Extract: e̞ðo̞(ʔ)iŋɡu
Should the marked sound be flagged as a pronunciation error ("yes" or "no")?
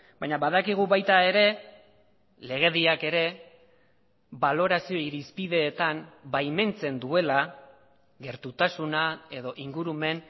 no